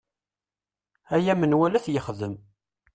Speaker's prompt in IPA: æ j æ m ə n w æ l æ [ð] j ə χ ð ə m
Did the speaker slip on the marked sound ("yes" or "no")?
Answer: yes